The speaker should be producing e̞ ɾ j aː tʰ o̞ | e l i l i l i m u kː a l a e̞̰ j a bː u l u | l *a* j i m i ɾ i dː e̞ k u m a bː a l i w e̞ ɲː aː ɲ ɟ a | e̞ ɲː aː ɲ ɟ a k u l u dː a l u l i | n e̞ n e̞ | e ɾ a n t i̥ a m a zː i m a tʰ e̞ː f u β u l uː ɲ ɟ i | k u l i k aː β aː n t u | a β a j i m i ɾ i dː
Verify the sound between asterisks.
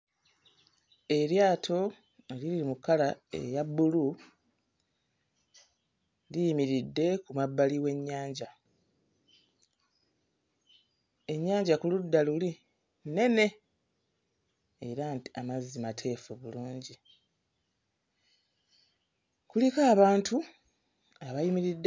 incorrect: i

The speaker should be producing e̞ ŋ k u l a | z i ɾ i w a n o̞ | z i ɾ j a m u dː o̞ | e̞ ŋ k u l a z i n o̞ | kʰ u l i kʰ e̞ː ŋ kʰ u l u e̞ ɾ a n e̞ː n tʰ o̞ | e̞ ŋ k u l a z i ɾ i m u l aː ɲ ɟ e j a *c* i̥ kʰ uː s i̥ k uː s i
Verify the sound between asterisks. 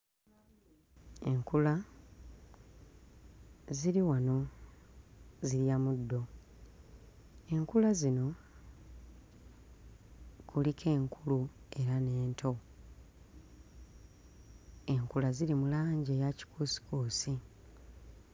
correct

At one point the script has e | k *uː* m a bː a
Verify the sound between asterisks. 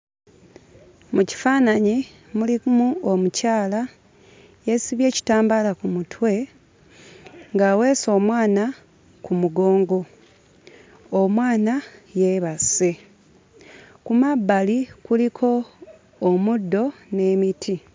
incorrect: u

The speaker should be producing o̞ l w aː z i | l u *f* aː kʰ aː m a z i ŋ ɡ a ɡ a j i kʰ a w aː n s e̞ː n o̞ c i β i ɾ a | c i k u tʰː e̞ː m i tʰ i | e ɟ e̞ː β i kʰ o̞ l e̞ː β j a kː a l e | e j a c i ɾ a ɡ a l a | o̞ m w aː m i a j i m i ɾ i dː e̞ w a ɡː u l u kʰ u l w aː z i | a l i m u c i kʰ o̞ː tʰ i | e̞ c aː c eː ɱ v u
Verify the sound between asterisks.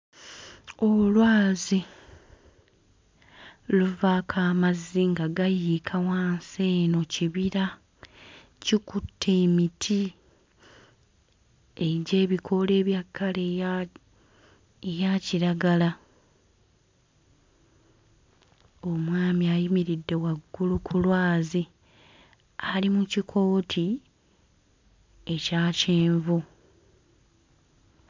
incorrect: v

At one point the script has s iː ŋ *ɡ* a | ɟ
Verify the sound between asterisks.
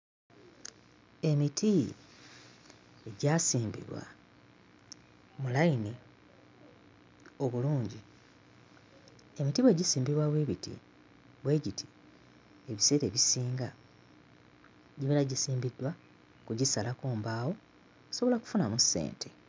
correct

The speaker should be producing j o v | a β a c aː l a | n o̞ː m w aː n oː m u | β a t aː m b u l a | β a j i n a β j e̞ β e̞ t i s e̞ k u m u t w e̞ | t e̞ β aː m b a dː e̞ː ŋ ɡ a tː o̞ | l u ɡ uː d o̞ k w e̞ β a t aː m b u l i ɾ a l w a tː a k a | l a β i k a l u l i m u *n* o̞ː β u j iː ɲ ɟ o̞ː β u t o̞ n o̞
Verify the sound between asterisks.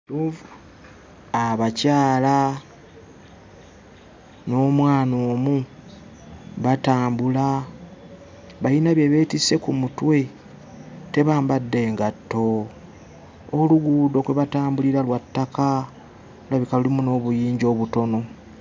correct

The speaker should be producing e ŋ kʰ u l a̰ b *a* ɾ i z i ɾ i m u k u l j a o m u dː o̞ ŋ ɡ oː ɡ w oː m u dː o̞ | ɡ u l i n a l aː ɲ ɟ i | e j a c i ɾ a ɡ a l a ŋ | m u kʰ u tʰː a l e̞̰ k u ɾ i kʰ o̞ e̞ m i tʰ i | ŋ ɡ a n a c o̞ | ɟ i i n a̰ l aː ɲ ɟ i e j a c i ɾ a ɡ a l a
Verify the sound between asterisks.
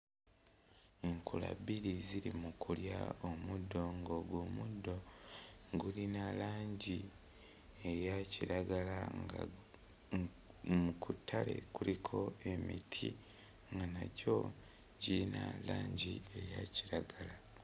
incorrect: i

